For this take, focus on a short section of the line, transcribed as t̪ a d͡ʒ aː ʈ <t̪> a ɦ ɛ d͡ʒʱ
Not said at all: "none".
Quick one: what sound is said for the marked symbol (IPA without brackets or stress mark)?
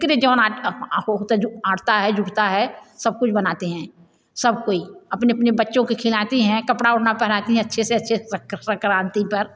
t̪